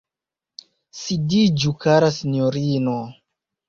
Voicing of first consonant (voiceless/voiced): voiceless